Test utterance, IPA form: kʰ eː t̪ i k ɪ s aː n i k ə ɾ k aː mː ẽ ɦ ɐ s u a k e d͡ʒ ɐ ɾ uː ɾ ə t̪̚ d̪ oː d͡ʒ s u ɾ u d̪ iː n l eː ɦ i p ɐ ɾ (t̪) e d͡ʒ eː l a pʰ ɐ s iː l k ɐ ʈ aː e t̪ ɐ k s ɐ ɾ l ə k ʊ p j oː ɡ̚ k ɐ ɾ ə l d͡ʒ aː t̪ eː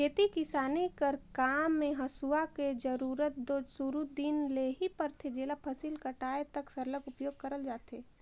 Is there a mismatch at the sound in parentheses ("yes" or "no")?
yes